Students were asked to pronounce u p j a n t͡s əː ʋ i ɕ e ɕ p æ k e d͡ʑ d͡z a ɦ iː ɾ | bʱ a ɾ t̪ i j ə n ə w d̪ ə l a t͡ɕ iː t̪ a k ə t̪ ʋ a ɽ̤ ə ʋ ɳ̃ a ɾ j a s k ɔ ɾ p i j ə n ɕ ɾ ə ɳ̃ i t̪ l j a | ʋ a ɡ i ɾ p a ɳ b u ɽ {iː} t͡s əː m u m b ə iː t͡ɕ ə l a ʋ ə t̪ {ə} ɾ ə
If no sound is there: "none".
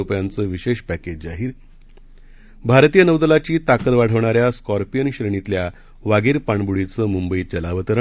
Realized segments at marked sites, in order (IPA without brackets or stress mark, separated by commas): i, ə